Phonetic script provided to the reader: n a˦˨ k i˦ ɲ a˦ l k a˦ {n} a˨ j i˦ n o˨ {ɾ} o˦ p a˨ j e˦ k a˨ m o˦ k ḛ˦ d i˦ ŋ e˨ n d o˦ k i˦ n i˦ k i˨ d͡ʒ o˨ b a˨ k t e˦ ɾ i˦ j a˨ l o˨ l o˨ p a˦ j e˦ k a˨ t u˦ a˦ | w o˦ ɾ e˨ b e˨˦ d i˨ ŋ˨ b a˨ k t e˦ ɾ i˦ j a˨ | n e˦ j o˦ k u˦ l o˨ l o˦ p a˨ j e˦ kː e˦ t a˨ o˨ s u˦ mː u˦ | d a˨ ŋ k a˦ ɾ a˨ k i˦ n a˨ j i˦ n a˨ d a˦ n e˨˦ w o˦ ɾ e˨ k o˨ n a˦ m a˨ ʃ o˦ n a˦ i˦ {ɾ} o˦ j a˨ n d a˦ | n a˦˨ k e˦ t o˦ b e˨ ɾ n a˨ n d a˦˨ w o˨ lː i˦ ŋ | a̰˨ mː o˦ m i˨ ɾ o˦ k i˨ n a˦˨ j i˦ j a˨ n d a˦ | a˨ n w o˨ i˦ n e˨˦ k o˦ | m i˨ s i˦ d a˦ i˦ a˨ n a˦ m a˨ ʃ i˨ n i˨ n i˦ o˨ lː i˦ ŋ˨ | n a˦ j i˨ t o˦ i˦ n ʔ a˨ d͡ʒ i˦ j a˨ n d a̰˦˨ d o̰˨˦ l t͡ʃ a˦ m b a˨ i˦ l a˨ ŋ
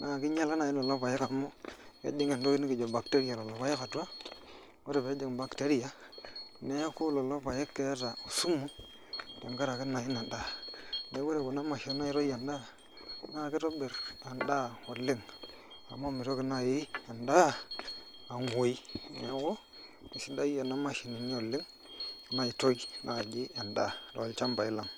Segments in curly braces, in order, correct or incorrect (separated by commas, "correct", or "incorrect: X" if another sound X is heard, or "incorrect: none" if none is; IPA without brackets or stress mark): correct, incorrect: l, correct